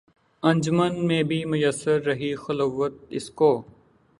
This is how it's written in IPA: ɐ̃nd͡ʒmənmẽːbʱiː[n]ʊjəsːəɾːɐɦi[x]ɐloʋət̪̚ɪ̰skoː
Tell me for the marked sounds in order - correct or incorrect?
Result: incorrect, correct

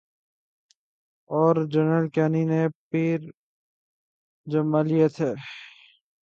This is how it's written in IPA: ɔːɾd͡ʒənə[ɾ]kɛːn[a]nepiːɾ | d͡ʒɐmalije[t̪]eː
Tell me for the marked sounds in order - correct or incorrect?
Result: incorrect, incorrect, incorrect

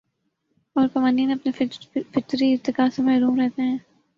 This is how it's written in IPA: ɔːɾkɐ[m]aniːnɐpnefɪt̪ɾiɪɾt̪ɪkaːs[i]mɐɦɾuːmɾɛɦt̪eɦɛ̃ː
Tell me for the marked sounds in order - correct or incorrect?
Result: correct, incorrect

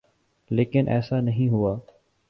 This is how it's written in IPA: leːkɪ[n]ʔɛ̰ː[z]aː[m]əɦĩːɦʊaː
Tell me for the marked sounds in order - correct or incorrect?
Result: correct, incorrect, incorrect

